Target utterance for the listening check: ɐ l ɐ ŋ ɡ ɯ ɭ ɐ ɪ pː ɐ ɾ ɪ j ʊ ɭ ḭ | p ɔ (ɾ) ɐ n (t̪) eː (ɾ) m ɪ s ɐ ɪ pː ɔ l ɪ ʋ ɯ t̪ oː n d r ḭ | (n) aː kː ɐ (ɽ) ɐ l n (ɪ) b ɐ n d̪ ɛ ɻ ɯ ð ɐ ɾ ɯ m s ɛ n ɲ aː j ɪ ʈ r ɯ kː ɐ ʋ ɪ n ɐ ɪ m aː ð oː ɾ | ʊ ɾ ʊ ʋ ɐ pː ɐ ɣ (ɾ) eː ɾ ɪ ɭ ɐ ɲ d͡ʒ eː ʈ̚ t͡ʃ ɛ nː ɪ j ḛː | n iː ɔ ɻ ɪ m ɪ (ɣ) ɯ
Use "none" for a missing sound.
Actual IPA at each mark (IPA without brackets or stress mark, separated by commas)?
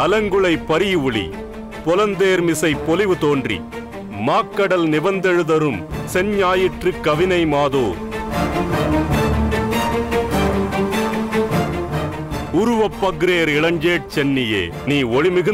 l, d̪, ɾ, m, ɽ, ɪ, ɾ, ɣ